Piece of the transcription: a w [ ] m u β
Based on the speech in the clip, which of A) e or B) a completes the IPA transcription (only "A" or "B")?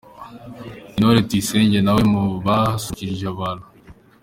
A